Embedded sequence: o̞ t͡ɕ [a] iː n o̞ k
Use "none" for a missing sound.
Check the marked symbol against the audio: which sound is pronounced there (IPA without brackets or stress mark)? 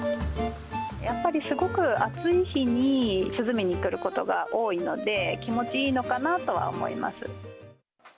i